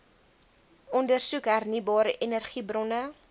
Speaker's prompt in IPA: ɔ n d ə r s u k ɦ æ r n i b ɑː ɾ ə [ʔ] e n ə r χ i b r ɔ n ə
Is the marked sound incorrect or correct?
correct